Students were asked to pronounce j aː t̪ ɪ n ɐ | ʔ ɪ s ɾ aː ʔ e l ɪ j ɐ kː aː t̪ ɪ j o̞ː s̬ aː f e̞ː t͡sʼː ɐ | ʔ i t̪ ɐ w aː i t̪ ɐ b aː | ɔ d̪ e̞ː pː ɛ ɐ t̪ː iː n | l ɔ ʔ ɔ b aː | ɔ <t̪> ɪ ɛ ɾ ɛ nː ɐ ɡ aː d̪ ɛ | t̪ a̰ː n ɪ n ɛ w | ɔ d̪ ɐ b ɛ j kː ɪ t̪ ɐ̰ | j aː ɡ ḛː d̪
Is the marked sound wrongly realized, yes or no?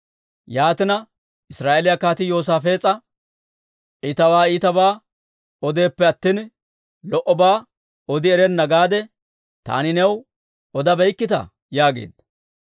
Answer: yes